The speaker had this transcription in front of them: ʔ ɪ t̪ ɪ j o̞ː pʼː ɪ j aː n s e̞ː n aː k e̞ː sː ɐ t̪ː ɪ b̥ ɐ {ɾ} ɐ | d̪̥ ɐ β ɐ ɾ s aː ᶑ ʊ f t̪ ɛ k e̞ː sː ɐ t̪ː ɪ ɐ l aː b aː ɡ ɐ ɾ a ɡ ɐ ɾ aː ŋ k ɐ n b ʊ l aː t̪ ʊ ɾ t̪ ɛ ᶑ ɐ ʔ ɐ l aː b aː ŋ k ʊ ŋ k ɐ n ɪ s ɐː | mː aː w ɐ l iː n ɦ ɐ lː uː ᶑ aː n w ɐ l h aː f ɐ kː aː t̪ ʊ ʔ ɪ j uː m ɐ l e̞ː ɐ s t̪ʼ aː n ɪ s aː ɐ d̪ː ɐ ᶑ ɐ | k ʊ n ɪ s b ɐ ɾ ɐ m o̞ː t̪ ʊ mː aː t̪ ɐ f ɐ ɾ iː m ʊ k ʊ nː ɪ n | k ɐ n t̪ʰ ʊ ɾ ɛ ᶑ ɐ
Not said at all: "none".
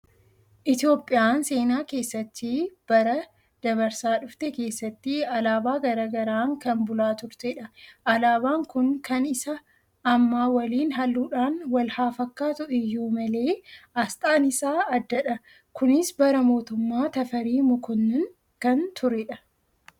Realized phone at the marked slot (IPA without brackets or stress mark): ɾ